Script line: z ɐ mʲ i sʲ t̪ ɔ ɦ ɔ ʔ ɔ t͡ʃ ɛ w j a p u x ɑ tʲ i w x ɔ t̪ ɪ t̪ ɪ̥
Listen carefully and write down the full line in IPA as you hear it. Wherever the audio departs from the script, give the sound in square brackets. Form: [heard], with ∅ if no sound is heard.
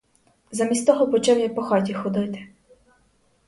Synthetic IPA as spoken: z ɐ mʲ i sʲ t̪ ɔ ɦ ɔ [p] ɔ t͡ʃ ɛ w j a p [ɔ] x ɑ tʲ i [∅] x ɔ [d̪] ɪ t̪ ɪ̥